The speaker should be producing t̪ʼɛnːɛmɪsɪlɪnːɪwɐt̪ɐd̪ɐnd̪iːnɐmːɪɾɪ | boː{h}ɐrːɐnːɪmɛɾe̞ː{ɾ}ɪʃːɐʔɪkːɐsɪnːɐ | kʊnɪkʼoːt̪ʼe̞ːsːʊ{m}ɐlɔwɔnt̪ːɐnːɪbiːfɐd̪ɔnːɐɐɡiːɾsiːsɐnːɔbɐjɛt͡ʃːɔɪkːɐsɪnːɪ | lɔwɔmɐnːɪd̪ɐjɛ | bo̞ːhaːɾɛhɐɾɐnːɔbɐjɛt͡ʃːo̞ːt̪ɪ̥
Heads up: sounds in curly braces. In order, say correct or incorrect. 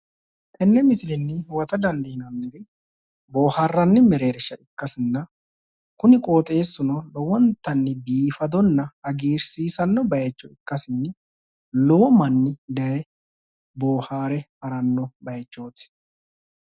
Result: correct, correct, incorrect: n

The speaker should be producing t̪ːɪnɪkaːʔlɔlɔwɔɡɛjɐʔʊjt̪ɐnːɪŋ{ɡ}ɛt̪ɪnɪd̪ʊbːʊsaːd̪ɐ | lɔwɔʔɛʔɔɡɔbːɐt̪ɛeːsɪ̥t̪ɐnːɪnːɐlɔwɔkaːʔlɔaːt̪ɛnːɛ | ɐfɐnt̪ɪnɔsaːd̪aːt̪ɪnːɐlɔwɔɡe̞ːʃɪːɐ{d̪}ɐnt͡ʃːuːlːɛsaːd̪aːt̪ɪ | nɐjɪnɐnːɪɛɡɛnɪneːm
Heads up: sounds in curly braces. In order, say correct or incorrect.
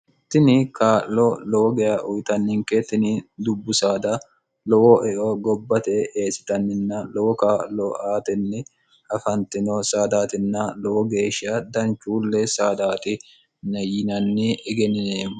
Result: incorrect: k, correct

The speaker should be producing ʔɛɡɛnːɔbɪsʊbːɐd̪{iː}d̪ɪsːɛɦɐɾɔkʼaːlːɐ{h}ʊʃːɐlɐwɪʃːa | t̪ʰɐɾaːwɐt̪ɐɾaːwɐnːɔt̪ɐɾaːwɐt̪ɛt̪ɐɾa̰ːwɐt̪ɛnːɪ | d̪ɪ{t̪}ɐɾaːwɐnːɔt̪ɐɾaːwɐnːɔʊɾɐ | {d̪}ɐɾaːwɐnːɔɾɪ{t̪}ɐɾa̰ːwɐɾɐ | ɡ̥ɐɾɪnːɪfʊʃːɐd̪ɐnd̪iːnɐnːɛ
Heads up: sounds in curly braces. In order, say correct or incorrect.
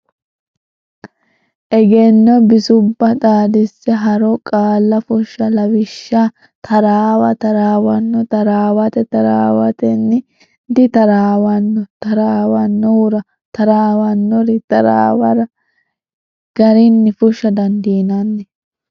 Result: incorrect: aː, incorrect: f, correct, incorrect: t̪, correct

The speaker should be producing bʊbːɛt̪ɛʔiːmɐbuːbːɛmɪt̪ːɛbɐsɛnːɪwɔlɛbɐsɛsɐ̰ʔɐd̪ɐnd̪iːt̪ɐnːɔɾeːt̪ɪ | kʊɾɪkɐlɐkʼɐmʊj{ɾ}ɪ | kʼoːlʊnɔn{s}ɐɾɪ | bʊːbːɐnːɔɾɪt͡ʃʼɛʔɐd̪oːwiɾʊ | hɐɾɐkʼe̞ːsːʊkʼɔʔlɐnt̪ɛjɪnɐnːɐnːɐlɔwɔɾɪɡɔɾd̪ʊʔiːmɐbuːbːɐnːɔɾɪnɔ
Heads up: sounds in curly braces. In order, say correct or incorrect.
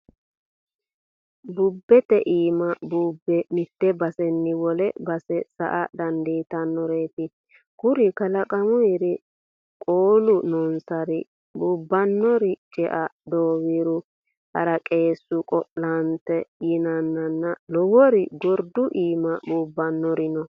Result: correct, correct

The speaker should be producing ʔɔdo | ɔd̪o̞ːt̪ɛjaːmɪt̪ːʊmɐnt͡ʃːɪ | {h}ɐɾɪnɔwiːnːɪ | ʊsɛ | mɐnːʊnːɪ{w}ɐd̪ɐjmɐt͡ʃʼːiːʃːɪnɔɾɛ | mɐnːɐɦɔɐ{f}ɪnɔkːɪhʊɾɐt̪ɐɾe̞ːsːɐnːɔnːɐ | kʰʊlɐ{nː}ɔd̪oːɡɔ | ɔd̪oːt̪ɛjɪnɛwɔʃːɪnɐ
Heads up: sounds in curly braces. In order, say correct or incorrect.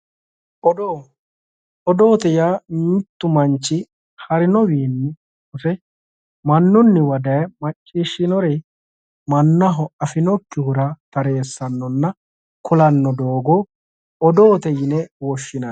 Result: correct, correct, correct, correct

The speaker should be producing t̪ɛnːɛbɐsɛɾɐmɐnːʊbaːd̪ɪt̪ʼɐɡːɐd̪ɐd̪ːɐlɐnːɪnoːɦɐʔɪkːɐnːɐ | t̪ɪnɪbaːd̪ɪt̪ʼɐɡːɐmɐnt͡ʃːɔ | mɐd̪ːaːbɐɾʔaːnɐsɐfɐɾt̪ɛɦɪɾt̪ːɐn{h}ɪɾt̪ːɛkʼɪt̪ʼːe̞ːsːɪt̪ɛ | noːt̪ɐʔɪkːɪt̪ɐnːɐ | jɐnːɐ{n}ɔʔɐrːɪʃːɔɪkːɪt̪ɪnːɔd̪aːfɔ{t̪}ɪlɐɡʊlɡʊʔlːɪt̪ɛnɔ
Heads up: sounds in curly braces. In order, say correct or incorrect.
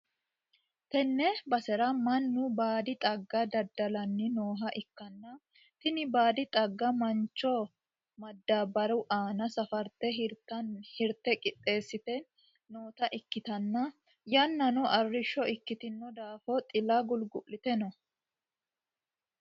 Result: correct, correct, incorrect: t̪ʼ

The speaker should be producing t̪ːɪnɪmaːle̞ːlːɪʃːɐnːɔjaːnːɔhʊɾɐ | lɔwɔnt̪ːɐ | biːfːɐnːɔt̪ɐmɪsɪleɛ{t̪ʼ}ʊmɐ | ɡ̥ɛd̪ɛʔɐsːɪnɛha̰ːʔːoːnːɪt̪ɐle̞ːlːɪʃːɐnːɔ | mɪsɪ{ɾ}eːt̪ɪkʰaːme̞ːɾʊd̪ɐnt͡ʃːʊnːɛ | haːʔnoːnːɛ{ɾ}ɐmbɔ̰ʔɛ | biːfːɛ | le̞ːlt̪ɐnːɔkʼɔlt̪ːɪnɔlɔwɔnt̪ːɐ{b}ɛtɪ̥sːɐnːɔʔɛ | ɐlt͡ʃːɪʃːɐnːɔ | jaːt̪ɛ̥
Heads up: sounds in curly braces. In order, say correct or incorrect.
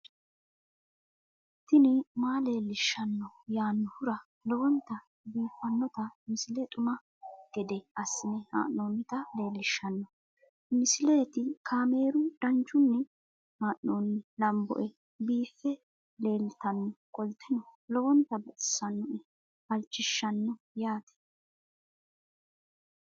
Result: correct, incorrect: l, incorrect: l, correct

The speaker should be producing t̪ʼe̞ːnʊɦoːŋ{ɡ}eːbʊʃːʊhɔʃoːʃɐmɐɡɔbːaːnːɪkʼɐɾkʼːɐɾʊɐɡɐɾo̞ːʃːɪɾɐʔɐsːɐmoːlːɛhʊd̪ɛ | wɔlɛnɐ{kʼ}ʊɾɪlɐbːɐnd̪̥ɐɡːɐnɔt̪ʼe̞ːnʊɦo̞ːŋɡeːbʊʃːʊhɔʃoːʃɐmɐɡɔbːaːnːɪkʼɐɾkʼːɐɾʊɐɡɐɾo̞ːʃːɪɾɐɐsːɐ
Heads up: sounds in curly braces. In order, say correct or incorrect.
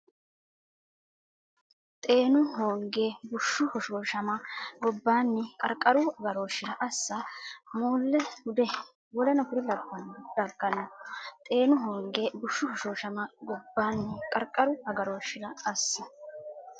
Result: correct, incorrect: k

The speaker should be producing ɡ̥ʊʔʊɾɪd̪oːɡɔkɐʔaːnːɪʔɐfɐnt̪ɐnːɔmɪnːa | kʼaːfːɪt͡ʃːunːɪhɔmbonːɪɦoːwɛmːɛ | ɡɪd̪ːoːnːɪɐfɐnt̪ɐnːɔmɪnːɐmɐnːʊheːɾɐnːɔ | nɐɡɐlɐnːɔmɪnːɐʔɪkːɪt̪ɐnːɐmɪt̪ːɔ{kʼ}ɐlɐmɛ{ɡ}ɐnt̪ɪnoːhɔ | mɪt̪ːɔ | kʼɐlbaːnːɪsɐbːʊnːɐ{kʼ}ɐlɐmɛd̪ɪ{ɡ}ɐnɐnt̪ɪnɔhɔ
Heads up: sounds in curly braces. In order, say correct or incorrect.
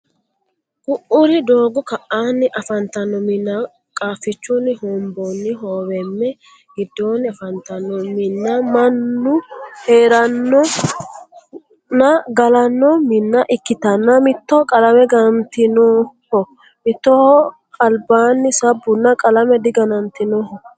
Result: correct, correct, correct, correct

